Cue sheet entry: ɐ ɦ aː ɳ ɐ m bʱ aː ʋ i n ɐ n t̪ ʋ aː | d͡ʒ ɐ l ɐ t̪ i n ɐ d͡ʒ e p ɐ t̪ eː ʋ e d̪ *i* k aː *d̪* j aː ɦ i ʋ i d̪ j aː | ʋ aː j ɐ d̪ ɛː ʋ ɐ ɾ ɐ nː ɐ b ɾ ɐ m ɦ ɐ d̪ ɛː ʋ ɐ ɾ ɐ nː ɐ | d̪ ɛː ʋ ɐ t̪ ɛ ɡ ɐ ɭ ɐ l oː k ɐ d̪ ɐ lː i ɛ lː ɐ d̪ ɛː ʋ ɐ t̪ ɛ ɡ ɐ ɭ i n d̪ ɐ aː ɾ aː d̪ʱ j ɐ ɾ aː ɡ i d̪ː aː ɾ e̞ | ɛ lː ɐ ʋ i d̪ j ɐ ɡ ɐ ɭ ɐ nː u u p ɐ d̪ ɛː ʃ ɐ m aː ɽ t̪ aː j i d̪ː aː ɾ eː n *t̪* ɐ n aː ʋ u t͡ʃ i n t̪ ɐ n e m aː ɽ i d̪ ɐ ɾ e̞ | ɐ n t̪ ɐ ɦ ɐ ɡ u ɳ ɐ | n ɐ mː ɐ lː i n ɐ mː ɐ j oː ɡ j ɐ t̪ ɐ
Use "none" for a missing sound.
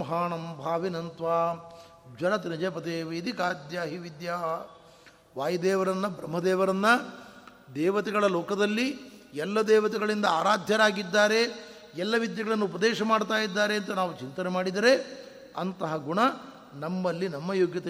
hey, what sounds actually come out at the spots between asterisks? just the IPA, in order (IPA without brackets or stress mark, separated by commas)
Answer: i, d̪, t̪